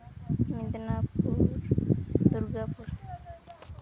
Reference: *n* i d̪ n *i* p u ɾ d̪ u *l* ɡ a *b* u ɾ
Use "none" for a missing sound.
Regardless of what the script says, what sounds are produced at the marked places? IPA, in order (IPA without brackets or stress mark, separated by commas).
m, a, ɾ, p